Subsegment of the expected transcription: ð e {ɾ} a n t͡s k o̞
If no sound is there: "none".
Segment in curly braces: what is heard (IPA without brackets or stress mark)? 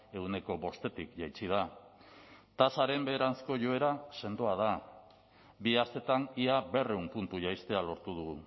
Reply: ɾ